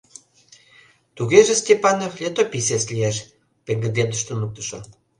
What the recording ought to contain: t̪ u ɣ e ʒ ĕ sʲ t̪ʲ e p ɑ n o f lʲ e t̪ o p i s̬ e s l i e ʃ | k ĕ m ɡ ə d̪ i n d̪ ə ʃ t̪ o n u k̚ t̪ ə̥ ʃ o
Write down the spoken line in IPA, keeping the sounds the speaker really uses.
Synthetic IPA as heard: t̪ u ɣ e ʒ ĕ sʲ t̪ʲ e p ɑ n o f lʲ e t̪ o p i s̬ e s l i e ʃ | p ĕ ŋ ɡ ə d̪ e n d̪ ə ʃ t̪ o n u k̚ t̪ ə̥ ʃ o